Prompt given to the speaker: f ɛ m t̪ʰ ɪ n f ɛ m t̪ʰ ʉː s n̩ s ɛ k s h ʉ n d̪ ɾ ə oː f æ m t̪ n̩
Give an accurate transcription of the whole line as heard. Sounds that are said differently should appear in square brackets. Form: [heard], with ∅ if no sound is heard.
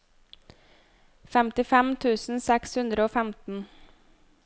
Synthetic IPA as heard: f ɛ m [t̪] ɪ [∅] f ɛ m t̪ʰ ʉː s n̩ s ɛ k s h ʉ n d̪ ɾ ə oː f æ m t̪ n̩

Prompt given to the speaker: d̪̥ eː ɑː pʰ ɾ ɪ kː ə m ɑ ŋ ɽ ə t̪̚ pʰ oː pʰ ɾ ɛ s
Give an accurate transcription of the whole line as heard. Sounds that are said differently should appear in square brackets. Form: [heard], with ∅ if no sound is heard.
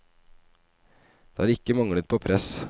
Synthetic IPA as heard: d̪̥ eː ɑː [∅] ɾ ɪ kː ə m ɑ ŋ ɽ ə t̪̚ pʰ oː pʰ ɾ ɛ s

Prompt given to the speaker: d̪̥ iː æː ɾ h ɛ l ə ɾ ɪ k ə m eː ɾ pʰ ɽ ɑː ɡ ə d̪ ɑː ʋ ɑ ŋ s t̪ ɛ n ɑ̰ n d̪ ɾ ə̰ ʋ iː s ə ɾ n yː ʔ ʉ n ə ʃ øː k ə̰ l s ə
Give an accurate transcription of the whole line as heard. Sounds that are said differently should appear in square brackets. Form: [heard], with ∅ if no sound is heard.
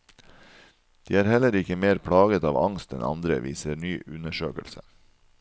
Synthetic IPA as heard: d̪̥ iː æː ɾ h ɛ l ə ɾ ɪ k ə m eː ɾ pʰ ɽ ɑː ɡ ə [t̪] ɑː ʋ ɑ ŋ s t̪ ɛ n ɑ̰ n d̪ ɾ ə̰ ʋ iː s ə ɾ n yː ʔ ʉ n ə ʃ øː k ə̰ l s ə

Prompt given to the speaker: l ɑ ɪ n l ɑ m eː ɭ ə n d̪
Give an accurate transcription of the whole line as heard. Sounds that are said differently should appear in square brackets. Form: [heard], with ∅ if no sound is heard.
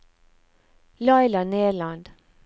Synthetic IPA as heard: l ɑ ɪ [∅] l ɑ [n] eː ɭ [ɑ] n d̪

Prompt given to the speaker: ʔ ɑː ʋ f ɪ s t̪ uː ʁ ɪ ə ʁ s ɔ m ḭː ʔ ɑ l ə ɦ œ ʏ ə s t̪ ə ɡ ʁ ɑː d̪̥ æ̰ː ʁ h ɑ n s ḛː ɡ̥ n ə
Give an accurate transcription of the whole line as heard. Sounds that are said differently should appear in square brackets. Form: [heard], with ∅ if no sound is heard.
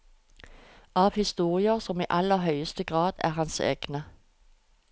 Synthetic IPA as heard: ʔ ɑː ʋ [h] ɪ s t̪ uː ʁ ɪ ə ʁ s ɔ m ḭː ʔ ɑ l ə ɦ œ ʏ ə s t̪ ə ɡ ʁ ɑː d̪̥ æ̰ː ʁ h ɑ n s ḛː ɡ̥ n ə

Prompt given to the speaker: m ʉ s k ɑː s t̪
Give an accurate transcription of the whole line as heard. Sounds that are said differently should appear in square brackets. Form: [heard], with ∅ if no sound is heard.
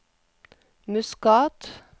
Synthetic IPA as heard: m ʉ s k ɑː [∅] t̪

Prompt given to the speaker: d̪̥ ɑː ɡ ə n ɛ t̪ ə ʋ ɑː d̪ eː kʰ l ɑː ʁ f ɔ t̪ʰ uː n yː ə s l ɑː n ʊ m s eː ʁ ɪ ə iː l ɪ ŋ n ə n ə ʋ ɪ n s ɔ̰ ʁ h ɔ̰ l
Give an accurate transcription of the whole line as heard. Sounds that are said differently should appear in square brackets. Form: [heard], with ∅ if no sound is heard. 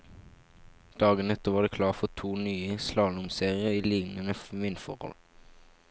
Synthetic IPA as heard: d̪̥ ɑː ɡ ə n ɛ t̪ ə ʋ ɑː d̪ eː kʰ l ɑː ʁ f ɔ t̪ʰ uː n yː ə s l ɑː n ʊ m s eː ʁ ɪ ə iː l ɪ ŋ n ə n ə ʋ ɪ n [f] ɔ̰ ʁ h ɔ̰ l

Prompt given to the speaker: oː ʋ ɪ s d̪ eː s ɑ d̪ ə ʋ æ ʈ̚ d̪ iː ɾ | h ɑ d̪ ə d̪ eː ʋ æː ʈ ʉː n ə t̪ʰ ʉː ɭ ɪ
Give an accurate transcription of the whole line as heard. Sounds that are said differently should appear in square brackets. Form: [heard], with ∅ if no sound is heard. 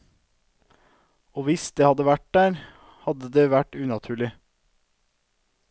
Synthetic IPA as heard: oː ʋ ɪ s d̪ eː [h] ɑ d̪ ə ʋ æ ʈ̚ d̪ [æː] ɾ | h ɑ d̪ ə d̪ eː ʋ [æ] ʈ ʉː n [ɑ] t̪ʰ ʉː ɭ ɪ

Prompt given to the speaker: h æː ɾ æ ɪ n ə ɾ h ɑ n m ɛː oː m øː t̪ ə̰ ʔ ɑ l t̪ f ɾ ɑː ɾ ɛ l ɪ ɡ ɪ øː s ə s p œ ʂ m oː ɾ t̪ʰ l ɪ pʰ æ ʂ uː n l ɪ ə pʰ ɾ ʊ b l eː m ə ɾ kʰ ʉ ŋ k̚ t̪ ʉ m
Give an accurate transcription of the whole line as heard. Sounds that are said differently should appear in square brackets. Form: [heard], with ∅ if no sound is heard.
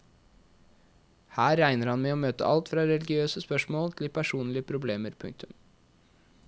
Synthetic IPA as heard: h æː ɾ æ ɪ n ə ɾ h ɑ n m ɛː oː m øː t̪ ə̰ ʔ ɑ l t̪ f ɾ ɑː ɾ ɛ l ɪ ɡ ɪ øː s ə s p œ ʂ m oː [l] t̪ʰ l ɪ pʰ æ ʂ uː n l ɪ ə pʰ ɾ ʊ b l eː m ə ɾ [pʰ] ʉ ŋ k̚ t̪ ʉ m

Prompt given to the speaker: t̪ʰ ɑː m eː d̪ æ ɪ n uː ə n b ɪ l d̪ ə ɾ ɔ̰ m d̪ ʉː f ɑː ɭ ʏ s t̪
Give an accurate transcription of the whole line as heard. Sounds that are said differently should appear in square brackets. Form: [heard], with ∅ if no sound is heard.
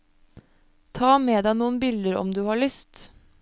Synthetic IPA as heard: t̪ʰ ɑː m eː d̪ æ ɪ n uː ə n b ɪ l d̪ ə ɾ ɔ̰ m d̪ ʉː [h] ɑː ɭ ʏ s t̪

